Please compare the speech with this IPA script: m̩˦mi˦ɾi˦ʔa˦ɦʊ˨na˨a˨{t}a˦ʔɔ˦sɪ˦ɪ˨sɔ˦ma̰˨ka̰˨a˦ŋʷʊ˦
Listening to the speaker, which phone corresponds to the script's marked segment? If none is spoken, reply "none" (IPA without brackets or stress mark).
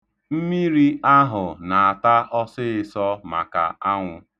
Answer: t